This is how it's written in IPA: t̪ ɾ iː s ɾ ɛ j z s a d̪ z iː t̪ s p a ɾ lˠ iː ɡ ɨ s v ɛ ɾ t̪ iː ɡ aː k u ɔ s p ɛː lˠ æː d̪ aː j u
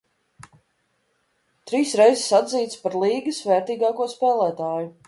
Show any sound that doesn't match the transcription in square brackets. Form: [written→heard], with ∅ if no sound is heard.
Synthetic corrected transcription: t̪ ɾ iː s ɾ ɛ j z s a d̪ z iː t̪ s p a ɾ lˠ iː ɡ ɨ s v ɛ ɾ t̪ iː ɡ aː k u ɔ s p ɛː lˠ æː [d̪→t̪] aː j u